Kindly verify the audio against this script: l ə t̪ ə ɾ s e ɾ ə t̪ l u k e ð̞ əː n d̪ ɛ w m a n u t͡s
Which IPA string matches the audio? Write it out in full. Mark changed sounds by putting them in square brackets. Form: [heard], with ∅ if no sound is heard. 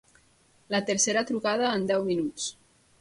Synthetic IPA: l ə t̪ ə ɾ s e ɾ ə t̪ [ɾ] u k [a] ð̞ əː n d̪ ɛ w m [i] n u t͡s